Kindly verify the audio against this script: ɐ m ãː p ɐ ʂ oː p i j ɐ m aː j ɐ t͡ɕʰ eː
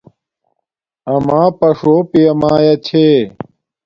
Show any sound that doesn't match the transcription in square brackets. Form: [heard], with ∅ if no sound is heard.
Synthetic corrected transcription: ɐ m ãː p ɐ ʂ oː p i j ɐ m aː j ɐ t͡ɕʰ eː